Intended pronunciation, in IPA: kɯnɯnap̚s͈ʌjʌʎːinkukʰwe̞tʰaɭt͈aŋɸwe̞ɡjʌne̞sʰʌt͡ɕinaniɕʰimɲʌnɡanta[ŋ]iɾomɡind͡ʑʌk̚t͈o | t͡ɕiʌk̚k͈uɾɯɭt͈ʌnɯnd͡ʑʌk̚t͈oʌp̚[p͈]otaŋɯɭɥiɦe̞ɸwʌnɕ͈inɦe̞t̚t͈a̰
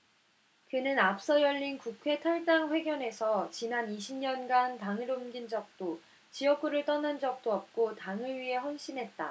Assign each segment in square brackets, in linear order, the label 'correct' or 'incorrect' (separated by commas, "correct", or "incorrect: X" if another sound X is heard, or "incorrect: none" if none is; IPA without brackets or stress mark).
correct, incorrect: k͈